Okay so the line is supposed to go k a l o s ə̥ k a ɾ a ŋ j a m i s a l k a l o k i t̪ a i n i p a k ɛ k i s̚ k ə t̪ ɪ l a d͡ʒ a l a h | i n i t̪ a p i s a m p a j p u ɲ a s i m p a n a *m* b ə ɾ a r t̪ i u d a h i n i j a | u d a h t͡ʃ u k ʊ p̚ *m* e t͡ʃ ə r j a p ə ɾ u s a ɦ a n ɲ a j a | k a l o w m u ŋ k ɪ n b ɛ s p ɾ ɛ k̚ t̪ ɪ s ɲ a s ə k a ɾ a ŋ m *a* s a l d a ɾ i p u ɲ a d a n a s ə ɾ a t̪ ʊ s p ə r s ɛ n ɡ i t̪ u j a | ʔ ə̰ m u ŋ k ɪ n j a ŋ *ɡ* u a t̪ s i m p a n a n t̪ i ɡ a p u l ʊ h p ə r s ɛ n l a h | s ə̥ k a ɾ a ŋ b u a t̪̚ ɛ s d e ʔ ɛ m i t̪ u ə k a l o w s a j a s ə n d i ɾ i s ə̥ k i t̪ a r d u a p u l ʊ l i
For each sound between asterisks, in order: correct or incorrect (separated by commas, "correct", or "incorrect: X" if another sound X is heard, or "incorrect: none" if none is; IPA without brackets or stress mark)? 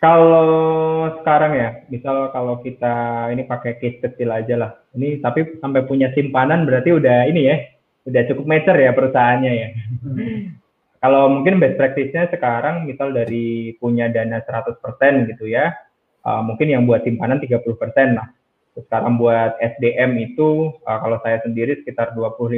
incorrect: n, correct, incorrect: i, incorrect: b